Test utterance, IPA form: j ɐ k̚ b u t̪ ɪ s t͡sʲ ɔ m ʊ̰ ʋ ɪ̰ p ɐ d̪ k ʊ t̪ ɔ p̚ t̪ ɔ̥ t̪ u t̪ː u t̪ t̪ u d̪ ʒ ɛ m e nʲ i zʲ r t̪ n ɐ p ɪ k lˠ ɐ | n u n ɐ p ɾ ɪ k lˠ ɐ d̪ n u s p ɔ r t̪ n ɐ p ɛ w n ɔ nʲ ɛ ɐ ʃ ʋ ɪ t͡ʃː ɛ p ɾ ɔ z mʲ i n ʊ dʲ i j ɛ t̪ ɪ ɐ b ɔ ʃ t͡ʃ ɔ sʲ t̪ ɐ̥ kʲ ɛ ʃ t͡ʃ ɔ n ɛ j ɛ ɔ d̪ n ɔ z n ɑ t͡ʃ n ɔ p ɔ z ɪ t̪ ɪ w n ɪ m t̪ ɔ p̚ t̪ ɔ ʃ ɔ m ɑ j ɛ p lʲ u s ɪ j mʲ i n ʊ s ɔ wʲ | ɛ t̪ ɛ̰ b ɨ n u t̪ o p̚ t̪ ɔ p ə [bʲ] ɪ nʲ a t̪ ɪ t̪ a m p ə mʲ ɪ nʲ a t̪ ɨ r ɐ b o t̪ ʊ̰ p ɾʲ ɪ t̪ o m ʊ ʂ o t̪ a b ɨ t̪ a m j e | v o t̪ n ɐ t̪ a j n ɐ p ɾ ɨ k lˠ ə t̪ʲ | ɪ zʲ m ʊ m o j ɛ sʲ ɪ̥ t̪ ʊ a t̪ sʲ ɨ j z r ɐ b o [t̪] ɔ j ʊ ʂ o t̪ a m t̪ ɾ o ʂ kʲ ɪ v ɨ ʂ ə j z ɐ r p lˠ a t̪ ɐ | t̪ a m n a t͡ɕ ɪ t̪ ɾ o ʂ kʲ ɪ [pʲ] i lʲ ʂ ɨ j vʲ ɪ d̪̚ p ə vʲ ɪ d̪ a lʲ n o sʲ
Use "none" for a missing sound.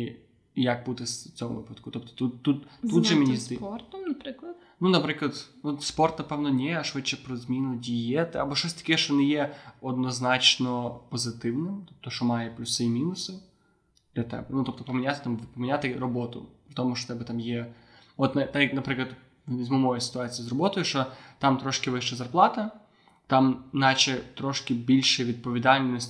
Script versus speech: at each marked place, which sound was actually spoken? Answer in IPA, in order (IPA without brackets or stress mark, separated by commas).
mʲ, t̪, bʲ